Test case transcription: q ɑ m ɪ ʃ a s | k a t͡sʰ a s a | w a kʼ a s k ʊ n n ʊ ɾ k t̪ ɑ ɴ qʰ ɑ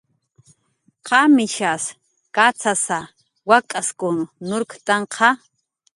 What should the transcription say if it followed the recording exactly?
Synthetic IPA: q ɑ m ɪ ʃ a s | k a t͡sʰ a s a | w a kʼ a s k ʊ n n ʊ ɾ k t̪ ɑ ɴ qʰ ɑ